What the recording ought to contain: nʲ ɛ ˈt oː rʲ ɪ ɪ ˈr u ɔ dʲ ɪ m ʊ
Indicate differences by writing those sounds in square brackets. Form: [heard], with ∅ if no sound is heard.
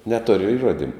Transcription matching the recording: nʲ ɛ ˈt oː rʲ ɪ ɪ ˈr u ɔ dʲ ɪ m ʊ